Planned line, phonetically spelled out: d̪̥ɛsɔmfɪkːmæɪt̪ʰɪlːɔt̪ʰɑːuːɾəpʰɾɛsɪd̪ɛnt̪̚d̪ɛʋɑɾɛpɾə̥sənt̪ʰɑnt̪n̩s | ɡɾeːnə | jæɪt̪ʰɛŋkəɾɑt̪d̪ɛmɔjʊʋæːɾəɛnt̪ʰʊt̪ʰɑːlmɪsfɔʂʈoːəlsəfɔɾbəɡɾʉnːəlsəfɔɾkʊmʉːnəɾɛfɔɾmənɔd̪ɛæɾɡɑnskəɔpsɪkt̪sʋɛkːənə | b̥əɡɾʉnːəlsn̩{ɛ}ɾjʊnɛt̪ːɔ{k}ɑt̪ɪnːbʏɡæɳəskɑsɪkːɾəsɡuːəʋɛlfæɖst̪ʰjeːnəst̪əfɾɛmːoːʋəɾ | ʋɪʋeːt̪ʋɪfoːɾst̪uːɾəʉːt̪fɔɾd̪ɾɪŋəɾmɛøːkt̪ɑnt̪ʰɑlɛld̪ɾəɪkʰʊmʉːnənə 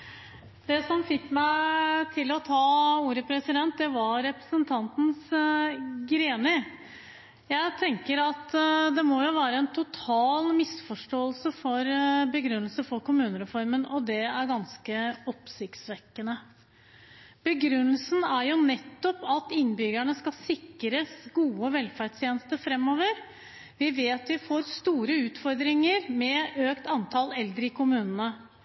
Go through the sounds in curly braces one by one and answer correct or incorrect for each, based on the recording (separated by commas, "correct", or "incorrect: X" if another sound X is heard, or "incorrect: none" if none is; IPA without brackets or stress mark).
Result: incorrect: æ, incorrect: p